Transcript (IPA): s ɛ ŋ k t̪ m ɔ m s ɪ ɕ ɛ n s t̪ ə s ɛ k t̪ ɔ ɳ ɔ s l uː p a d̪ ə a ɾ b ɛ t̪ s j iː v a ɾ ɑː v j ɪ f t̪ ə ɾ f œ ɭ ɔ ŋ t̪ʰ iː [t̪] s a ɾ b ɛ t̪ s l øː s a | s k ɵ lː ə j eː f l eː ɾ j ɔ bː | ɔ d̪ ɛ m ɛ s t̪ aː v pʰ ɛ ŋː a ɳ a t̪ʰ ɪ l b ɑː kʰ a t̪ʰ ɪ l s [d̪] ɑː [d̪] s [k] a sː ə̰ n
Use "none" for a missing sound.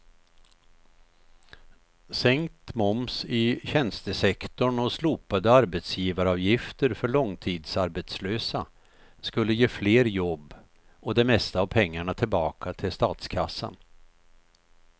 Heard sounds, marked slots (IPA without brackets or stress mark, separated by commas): d̪, t̪, t̪, kʰ